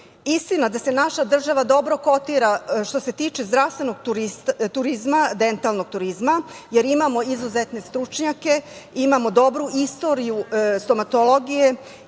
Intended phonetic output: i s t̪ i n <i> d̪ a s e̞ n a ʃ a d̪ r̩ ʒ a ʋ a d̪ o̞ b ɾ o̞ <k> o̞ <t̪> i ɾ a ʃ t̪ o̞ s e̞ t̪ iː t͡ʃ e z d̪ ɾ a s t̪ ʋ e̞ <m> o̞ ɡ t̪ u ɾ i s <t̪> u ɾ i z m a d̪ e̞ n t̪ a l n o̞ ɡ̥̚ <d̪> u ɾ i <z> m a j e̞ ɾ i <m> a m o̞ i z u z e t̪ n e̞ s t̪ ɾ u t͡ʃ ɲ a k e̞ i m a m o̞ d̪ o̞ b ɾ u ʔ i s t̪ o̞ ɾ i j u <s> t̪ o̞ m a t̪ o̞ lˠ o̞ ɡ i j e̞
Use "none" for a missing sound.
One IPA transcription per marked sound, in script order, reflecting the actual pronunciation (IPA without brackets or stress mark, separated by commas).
a, k, t̪, n, t̪, t̪, z, m, s